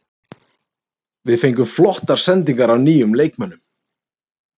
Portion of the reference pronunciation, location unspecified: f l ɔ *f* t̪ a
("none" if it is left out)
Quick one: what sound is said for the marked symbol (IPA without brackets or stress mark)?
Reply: h